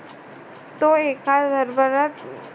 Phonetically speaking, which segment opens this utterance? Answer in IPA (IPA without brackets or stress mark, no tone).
t̪